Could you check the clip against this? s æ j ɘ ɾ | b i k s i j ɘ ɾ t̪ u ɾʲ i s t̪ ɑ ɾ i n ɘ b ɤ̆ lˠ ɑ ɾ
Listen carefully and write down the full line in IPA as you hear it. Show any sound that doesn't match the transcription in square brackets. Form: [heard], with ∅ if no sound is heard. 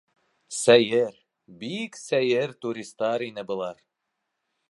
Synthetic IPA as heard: s æ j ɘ ɾ | b i k s [æ] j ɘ ɾ t̪ u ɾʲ i s t̪ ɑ ɾ i n ɘ b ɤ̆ lˠ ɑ ɾ